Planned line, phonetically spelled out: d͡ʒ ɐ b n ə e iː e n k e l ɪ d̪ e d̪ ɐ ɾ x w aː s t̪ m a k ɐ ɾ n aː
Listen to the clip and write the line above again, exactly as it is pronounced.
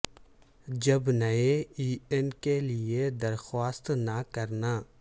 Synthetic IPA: d͡ʒ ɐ b n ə e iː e n k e l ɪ e d̪ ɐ ɾ x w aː s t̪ n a k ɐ ɾ n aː

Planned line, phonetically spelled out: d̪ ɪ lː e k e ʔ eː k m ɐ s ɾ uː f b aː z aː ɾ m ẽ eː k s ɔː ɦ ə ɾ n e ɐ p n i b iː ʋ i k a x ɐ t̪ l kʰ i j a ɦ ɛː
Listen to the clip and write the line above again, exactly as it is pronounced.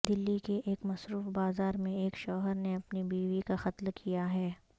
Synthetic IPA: d̪ ɪ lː i k e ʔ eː k m ɐ s ɾ uː f b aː z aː ɾ m ẽ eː k ʃ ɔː ɦ ə ɾ n e ɐ p n i b iː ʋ i k a x ɐ t̪ l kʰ i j a ɦ ɛː

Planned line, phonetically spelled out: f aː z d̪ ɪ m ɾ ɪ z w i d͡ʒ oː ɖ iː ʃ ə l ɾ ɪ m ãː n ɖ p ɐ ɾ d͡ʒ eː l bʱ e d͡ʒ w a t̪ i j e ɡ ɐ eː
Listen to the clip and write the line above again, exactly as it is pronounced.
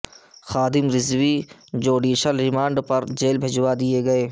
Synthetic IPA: x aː d̪ ɪ m ɾ ɪ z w i d͡ʒ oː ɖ iː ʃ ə l ɾ ɪ m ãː ɳ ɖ p ɐ ɾ d͡ʒ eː l bʱ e d͡ʒ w a d̪ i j e ɡ ɐ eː

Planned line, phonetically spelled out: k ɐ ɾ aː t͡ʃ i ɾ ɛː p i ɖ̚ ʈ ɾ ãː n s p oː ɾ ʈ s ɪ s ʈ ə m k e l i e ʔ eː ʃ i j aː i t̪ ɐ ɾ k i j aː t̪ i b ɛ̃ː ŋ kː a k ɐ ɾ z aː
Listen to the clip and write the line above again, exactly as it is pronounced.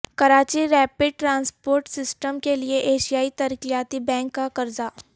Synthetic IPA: k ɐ ɾ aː t͡ʃ i ɾ ɛː p ɪ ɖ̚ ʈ ɾ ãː n s p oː ɾ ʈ s ɪ s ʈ ə m k e l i e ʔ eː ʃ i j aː i t̪ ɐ ɾ k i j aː t̪ i b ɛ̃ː ŋ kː a k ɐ ɾ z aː

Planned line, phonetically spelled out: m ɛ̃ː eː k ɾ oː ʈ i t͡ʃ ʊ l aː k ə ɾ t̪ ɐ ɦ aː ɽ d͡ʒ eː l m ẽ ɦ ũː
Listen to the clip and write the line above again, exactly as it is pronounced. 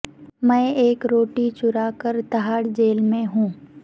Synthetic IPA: m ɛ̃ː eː k ɾ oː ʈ i t͡ʃ ʊ ɾ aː k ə ɾ t̪ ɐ ɦ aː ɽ d͡ʒ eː l m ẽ ɦ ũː

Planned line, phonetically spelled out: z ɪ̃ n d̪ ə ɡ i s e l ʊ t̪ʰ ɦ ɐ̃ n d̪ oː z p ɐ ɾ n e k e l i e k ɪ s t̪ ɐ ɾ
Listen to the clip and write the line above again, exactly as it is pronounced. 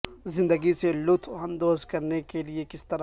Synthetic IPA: z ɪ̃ n d̪ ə ɡ i s e l ʊ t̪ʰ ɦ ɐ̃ n d̪ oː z k ɐ ɾ n e k e l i e k ɪ s t̪ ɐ ɾ

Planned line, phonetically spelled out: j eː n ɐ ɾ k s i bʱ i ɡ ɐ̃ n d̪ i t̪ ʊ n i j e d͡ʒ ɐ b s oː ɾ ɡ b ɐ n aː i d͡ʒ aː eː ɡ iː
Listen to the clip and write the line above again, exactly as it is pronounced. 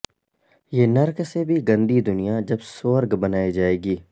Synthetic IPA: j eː n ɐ ɾ k s e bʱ i ɡ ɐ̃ n d̪ i d̪ ʊ n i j a d͡ʒ ɐ b s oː ɾ ɡ b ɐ n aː i d͡ʒ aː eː ɡ iː

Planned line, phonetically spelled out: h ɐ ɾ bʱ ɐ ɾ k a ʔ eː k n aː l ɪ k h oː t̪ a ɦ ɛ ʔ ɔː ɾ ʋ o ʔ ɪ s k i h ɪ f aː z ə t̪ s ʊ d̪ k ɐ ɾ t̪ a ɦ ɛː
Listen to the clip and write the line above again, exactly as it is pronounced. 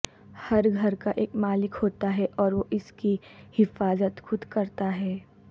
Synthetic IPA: h ɐ ɾ ɡʱ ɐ ɾ k a ʔ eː k m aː l ɪ k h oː t̪ a ɦ ɛ ʔ ɔː ɾ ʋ o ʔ ɪ s k i h ɪ f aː z ə t̪ x ʊ d̪ k ɐ ɾ t̪ a ɦ ɛː

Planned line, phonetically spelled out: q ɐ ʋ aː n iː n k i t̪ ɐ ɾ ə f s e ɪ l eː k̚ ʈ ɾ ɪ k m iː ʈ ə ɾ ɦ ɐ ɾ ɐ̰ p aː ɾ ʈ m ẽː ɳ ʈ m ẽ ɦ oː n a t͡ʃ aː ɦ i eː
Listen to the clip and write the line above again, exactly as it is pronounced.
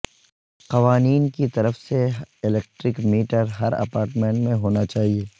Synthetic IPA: q ɐ ʋ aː n iː n k i t̪ ɐ ɾ ə f s e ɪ l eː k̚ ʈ ɾ ɪ k m iː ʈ ə ɾ ɦ ɐ ɾ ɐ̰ p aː ɾ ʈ m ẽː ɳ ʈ m ẽ ɦ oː n a t͡ʃ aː ɦ i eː

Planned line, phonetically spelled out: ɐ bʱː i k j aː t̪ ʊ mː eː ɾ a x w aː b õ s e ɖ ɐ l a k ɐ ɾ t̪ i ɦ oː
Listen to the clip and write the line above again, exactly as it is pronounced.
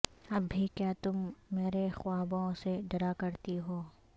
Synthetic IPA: ɐ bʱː i k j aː t̪ ʊ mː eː ɾ e x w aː b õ s e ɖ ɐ ɾ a k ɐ ɾ t̪ i ɦ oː

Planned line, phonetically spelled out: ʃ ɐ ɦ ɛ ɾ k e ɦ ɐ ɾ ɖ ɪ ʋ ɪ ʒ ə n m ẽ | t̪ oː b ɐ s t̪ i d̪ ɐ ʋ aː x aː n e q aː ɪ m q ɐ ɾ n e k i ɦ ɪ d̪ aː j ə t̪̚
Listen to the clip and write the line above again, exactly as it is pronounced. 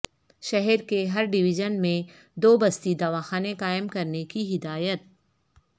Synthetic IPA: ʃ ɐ ɦ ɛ ɾ k e ɦ ɐ ɾ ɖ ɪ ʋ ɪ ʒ ə n m ẽ | d̪ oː b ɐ s t̪ i d̪ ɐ ʋ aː x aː n e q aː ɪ m k ɐ ɾ n e k i ɦ ɪ d̪ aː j ə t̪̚

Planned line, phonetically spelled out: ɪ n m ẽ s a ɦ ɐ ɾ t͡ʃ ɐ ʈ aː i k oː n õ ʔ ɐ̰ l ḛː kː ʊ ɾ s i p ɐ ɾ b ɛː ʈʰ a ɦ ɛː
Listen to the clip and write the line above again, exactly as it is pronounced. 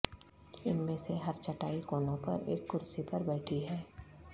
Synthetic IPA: ɪ n m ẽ s e ɦ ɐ ɾ t͡ʃ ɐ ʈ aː i k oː n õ p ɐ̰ ɾ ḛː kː ʊ ɾ s i p ɐ ɾ b ɛː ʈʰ i ɦ ɛː

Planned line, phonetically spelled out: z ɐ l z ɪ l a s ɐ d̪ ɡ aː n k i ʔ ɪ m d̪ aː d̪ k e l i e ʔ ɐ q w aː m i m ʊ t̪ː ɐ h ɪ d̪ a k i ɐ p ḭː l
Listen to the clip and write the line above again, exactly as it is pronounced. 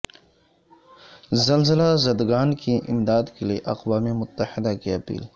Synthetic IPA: z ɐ l z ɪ l a z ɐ d̪ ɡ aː n k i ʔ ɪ m d̪ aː d̪ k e l i e ʔ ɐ q w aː m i m ʊ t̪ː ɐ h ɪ d̪ a k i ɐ p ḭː l

